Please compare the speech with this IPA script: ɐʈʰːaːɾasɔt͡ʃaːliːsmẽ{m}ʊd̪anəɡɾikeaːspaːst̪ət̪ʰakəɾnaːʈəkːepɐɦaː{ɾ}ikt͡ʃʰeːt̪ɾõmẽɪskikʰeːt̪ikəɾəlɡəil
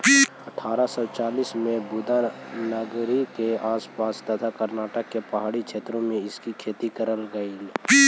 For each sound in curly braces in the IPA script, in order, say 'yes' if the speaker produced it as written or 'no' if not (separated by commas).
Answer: no, no